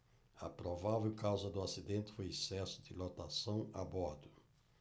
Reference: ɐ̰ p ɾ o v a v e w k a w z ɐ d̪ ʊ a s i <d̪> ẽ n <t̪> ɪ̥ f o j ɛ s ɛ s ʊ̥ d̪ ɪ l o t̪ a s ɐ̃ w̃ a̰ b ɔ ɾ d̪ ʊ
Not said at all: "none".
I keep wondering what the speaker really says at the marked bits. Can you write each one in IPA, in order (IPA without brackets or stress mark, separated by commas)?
d̪, t̪